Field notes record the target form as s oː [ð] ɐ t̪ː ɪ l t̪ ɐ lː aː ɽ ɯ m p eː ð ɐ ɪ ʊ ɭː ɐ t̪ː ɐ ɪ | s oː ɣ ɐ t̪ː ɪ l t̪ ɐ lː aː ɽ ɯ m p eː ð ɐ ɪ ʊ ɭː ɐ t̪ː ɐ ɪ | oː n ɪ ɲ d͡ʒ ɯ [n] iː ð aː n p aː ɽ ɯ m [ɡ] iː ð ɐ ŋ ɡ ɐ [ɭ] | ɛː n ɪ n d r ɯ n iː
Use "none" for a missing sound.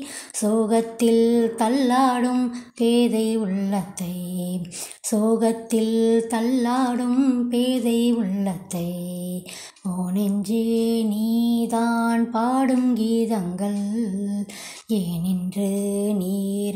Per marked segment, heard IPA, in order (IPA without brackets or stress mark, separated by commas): ɣ, n, ɡ, ɭ